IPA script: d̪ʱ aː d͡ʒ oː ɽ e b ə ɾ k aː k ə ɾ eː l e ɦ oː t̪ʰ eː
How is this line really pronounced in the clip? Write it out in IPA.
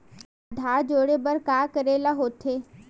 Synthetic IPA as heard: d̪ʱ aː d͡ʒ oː ɽ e b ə ɾ k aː k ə ɾ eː l a ɦ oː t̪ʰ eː